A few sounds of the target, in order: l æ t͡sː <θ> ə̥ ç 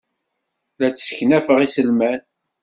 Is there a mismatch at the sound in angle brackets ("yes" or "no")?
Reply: yes